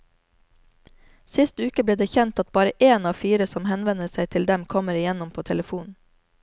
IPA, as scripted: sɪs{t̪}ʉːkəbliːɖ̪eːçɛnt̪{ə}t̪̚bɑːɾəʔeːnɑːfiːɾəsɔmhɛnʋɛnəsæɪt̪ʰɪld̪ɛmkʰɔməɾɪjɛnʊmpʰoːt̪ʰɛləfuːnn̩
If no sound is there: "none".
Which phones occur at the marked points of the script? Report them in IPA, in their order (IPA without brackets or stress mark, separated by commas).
t̪, ɑ